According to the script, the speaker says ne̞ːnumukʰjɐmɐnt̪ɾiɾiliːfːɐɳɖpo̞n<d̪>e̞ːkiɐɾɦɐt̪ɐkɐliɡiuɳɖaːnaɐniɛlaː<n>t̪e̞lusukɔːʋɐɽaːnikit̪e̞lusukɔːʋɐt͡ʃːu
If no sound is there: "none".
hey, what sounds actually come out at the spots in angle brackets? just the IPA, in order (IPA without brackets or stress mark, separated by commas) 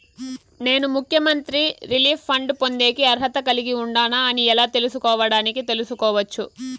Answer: d̪, none